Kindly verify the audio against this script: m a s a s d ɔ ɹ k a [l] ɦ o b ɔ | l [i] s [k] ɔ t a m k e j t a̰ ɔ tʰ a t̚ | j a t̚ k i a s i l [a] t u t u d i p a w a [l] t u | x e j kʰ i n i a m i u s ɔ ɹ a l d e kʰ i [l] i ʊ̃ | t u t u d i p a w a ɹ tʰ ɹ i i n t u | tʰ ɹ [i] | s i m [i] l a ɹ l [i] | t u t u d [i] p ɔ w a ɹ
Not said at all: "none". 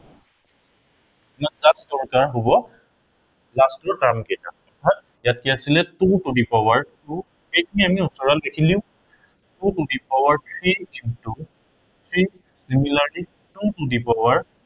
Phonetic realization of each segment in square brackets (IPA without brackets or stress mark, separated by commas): ɹ, a, t, ɛ, ɹ, l, i, i, i, i